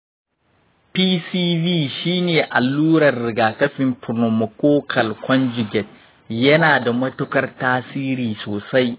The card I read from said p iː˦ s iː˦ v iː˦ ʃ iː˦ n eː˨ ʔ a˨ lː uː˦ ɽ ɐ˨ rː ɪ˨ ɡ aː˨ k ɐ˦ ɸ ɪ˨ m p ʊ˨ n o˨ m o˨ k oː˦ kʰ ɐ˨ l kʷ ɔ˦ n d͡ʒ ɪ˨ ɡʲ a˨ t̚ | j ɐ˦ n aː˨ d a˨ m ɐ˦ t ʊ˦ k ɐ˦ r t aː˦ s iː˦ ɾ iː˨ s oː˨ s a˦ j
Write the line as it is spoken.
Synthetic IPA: p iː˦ s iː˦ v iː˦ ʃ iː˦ n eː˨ ʔ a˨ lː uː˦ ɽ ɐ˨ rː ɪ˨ ɡ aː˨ k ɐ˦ ɸ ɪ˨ m p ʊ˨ n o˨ m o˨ k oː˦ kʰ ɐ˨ l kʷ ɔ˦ n d͡ʒ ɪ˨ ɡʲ ɛ˨ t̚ | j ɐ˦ n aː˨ d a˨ m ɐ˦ t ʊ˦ k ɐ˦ r t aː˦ s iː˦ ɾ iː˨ s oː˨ s a˦ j